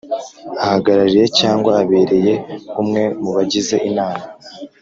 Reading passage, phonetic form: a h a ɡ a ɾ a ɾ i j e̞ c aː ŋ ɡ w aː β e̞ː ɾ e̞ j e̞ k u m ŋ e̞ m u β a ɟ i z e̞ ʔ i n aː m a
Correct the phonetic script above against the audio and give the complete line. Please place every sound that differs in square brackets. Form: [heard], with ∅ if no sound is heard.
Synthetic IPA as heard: a h a ɡ a ɾ a ɾ i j e̞ c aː ŋ ɡ w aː β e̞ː ɾ e̞ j e̞ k u m ŋ e̞ m u β a ɟ i z e̞ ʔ i n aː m a